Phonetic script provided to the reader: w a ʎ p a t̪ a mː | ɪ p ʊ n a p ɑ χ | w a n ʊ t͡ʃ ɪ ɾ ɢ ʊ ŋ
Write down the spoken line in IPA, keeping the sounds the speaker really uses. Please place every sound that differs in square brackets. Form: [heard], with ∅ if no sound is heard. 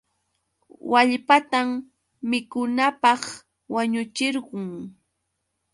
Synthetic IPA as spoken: w a ʎ p a t̪ a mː | ɪ [k] ʊ n a p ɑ χ | w a [ɲ] ʊ t͡ʃ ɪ ɾ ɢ ʊ ŋ